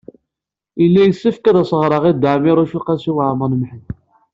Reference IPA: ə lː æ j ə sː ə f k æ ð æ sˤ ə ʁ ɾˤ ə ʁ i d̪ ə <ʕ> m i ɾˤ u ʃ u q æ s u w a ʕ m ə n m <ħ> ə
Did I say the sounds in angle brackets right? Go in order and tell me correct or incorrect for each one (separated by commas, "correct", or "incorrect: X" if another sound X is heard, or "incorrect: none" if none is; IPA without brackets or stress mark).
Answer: correct, correct